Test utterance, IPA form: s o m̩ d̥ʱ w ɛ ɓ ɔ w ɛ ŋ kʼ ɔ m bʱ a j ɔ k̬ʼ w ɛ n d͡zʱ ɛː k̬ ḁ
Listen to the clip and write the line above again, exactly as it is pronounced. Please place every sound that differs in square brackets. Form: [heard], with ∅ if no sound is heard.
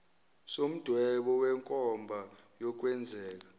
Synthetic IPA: s o m̩ d̥ʱ w ɛ ɓ ɔ w ɛ ŋ kʼ ɔ m bʱ a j ɔ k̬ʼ w ɛ n d͡zʱ ɛː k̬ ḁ